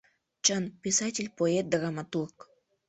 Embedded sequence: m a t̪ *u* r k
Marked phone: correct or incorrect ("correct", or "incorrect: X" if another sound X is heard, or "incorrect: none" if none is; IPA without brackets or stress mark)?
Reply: correct